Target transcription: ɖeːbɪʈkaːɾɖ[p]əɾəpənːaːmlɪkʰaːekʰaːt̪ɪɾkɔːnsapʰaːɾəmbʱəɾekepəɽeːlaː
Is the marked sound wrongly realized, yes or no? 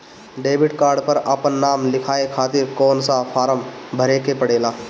no